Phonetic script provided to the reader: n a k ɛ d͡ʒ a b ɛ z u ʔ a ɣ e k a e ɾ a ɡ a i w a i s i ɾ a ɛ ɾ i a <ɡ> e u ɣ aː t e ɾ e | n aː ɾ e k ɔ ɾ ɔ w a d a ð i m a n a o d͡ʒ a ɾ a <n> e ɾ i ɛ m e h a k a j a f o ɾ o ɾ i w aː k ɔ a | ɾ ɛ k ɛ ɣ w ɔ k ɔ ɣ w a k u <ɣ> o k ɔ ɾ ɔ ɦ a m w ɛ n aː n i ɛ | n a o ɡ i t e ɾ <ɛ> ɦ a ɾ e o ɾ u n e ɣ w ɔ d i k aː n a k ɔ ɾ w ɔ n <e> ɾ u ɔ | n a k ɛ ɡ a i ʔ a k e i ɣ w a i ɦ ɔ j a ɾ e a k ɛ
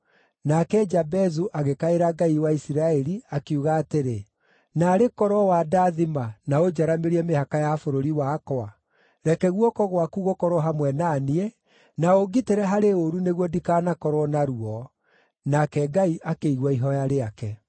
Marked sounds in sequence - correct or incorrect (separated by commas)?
incorrect, incorrect, correct, correct, incorrect